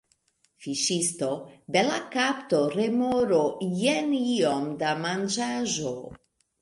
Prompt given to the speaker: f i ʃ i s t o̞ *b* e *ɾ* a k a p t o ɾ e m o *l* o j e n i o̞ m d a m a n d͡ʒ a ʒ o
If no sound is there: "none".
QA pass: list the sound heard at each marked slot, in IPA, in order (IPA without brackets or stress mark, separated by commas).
b, l, ɾ